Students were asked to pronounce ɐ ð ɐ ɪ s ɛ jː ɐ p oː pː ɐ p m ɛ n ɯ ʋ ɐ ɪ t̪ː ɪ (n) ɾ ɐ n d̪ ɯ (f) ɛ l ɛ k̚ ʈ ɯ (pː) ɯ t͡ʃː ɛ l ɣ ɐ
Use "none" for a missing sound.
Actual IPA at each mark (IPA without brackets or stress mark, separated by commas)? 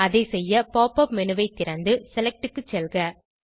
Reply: none, s, kː